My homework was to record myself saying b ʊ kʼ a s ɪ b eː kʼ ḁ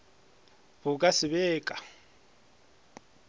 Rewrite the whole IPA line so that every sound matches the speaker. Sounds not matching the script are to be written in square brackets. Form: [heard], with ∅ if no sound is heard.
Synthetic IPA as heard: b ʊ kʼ a s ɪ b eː kʼ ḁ